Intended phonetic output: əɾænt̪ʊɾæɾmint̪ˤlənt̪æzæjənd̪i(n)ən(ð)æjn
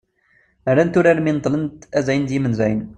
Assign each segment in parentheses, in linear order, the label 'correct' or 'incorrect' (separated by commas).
incorrect, incorrect